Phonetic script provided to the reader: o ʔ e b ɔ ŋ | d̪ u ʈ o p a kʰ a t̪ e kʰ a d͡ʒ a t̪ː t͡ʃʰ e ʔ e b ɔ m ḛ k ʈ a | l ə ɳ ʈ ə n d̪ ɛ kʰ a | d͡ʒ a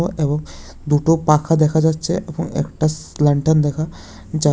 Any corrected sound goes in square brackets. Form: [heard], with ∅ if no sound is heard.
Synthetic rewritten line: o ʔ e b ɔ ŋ | d̪ u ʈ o p a kʰ a [d̪] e kʰ a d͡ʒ a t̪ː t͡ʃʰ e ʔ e b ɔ [ŋ] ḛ k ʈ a | l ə ɳ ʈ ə n d̪ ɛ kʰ a | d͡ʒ a